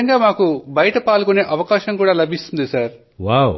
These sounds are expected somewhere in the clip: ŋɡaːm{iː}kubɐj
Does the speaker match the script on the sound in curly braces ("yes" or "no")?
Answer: no